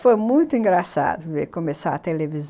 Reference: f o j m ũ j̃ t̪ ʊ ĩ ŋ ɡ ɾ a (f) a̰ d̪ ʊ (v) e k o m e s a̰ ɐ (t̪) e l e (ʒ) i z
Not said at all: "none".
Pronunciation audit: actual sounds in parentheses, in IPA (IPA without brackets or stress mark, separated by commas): s, v, t̪, v